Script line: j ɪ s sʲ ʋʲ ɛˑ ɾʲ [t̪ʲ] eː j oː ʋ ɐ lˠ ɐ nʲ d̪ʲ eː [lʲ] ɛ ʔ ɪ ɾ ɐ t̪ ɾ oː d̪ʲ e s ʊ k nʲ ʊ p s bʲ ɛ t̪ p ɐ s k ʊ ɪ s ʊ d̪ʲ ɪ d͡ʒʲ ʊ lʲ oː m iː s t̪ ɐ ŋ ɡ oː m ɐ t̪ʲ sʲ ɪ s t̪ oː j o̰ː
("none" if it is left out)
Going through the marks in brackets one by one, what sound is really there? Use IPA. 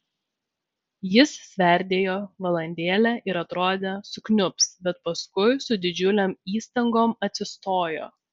d̪ʲ, lʲ

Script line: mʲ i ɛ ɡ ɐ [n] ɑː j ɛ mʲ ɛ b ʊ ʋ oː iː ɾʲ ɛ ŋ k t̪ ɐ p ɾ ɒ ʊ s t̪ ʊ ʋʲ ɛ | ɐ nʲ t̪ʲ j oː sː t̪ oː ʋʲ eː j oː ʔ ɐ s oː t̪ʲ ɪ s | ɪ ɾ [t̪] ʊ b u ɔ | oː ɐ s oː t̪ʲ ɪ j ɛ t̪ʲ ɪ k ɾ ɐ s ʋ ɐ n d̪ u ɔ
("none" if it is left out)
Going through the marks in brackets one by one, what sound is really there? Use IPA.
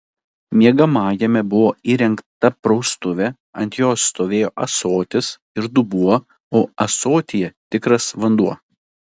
m, d̪

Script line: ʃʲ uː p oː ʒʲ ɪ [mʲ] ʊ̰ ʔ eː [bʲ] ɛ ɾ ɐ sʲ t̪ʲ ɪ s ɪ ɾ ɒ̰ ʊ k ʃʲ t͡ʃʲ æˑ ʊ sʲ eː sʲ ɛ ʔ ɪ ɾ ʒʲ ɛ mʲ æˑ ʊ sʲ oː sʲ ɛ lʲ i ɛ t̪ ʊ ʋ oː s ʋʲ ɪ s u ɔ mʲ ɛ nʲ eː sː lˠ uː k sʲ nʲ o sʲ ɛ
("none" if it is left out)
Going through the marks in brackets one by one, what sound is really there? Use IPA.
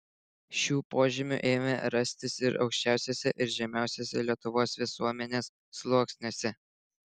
mʲ, mʲ

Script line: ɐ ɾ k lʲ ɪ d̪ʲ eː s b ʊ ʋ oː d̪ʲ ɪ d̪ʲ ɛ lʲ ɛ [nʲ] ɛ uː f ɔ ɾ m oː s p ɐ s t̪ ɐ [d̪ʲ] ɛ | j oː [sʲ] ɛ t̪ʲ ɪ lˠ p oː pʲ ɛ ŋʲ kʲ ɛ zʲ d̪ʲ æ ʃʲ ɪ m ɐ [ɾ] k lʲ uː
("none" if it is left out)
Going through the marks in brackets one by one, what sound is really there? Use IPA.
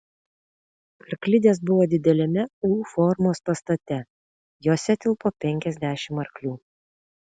mʲ, t̪ʲ, sʲ, ɾ

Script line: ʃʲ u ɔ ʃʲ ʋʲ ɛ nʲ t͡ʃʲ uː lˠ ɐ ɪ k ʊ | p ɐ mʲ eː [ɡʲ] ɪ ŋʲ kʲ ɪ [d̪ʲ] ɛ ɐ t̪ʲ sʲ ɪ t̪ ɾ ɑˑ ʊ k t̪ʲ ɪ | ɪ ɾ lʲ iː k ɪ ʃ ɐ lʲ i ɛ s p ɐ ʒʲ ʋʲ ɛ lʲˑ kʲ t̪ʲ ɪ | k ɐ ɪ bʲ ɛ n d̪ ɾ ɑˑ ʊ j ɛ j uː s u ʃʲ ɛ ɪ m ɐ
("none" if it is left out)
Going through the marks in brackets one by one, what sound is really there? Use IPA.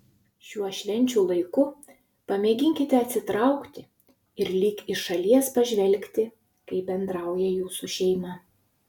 ɡʲ, t̪ʲ

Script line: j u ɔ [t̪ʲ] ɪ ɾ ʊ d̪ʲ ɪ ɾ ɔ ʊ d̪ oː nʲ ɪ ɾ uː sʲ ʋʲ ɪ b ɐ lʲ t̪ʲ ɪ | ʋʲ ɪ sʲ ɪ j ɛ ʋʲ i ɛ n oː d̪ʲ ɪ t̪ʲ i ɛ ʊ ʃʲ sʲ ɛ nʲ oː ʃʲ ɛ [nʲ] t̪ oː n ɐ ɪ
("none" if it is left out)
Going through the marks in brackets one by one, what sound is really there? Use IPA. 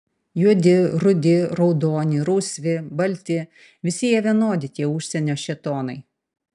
d̪ʲ, none

